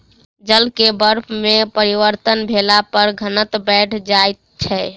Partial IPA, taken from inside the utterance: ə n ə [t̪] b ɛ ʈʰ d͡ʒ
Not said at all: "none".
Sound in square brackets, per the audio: t̪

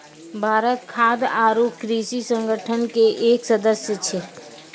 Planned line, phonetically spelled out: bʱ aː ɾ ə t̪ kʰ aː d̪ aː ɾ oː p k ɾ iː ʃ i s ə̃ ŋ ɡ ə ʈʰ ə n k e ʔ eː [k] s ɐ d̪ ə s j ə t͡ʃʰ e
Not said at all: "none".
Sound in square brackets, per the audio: k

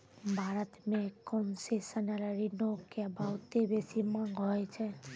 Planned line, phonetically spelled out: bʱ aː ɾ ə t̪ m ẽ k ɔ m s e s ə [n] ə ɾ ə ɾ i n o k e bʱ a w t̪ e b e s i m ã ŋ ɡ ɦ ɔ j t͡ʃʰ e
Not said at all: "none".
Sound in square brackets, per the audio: n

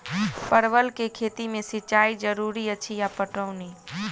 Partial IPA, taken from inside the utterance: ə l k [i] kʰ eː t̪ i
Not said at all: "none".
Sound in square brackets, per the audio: e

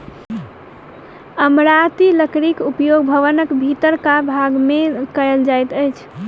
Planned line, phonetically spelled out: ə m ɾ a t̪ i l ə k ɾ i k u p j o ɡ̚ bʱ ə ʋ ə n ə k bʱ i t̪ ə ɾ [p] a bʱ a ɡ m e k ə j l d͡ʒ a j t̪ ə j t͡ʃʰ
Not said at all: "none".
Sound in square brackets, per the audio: k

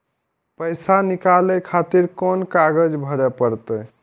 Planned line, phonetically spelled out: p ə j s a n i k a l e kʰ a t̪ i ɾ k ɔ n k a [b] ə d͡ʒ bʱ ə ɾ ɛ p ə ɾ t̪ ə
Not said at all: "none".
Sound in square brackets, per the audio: ɡ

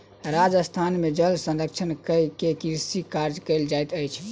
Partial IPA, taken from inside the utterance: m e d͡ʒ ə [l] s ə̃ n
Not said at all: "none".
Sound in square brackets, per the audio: l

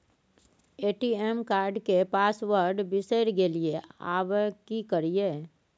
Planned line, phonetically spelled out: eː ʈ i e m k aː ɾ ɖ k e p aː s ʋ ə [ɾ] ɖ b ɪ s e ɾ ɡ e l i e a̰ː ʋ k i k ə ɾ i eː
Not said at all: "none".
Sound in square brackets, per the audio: ɾ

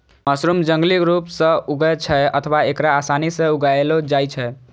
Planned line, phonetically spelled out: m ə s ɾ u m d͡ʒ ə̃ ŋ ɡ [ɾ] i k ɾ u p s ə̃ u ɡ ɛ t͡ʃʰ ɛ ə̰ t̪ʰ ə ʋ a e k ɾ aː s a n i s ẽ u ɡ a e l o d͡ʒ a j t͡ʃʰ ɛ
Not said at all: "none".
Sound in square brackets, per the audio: l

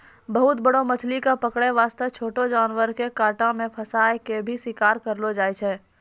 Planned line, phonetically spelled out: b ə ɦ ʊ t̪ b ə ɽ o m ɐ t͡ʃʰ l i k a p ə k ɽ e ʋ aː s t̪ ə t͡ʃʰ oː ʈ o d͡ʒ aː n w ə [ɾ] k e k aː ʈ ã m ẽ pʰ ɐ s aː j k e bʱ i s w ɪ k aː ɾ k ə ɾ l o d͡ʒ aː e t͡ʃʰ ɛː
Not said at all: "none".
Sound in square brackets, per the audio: ɾ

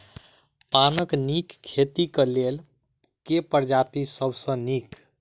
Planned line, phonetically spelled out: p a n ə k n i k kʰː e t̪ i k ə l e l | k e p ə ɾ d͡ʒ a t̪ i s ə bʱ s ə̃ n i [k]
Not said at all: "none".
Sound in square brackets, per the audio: k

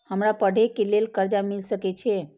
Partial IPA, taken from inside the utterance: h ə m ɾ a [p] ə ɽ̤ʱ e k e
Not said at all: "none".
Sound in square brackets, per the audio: p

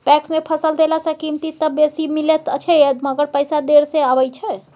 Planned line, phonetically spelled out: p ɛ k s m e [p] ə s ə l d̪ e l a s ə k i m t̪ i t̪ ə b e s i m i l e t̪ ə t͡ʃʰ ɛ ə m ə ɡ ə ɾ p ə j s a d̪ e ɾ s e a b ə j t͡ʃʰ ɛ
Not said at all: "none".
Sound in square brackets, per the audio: pʰ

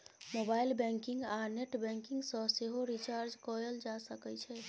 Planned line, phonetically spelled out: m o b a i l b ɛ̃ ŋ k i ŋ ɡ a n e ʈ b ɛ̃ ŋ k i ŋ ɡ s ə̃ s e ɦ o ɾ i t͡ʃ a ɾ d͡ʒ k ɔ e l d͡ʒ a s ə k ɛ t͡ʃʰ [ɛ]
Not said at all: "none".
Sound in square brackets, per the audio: ɛ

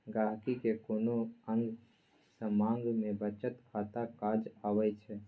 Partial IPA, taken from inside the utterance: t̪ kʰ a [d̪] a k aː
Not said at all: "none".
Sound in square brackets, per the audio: t̪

